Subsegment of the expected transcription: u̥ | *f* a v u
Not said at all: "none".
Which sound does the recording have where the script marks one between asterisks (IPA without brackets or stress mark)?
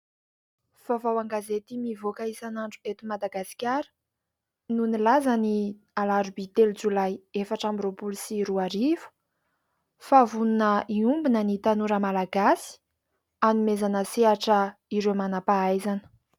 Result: f